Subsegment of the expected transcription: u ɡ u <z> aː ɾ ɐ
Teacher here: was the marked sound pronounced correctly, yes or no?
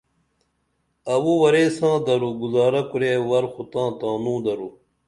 yes